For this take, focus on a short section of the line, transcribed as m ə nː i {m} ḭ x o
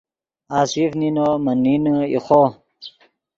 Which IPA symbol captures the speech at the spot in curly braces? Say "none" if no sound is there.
n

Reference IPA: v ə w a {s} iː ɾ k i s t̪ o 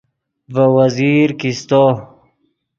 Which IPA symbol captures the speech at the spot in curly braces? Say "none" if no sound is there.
z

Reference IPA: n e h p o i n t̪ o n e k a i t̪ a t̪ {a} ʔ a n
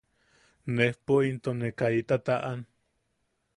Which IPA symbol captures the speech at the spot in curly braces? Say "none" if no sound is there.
a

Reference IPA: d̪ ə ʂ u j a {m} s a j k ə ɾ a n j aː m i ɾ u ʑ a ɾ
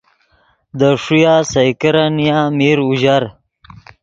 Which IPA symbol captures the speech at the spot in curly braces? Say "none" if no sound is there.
none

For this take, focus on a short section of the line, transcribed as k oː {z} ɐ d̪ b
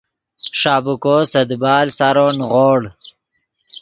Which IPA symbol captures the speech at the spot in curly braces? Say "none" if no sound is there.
s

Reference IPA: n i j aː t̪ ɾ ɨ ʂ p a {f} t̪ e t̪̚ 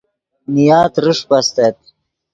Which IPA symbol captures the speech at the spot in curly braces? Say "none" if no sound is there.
s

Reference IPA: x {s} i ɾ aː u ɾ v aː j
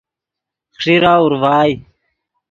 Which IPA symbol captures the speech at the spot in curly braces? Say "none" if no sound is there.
ʂ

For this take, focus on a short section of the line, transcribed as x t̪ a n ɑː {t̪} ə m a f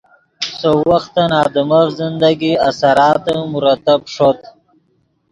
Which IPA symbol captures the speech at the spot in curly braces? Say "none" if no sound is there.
d̪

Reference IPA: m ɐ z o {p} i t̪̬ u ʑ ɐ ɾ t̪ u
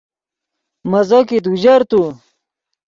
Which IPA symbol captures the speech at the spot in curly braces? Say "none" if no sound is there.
k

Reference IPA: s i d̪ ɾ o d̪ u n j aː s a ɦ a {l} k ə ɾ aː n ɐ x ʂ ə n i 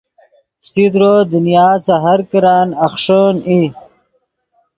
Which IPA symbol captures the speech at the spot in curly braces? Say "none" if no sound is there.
ɾ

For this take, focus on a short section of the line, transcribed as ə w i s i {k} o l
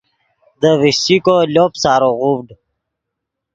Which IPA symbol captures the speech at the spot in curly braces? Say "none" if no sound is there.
k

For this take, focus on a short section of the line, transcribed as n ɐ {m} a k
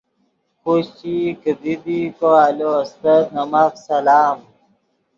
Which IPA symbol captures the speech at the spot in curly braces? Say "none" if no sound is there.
m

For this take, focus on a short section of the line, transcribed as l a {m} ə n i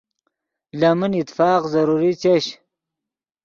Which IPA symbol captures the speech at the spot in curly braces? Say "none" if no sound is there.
m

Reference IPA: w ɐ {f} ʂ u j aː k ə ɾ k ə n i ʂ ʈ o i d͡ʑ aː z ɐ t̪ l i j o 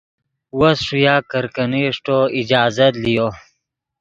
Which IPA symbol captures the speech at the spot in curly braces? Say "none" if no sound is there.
s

